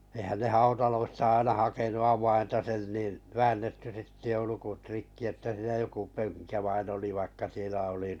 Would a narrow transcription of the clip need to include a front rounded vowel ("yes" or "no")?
yes